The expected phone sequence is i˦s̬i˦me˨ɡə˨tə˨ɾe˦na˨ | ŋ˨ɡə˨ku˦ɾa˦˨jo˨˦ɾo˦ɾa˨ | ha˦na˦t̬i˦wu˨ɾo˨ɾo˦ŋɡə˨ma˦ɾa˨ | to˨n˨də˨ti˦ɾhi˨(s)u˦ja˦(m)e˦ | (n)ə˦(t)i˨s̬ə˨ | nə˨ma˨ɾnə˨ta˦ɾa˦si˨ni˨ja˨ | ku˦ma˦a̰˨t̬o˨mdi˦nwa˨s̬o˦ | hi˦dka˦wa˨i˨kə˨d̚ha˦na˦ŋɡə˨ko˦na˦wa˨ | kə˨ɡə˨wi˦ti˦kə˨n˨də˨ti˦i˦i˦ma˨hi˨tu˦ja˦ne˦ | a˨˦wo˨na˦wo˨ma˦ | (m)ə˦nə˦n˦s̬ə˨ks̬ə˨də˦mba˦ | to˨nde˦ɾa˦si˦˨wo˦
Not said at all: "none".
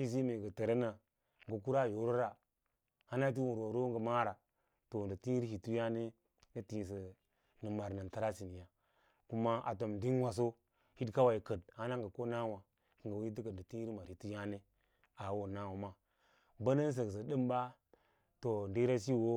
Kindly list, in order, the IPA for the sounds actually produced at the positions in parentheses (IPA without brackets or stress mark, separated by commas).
t, n, n, t, b